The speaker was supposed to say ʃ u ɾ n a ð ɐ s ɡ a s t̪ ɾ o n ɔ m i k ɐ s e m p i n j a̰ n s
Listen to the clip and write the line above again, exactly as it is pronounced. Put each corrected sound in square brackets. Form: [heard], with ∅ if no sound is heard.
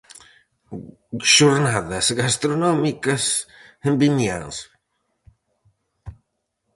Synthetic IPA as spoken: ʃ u ɾ n a ð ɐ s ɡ a s t̪ ɾ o n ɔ m i k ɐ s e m [b] i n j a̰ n s